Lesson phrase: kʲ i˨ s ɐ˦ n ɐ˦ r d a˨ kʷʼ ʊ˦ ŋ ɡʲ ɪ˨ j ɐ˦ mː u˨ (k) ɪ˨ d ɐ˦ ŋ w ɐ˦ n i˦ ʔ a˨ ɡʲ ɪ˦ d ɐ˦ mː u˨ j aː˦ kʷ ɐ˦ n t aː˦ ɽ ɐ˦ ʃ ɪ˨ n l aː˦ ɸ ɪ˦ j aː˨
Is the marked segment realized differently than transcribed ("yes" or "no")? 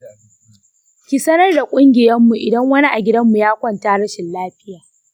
yes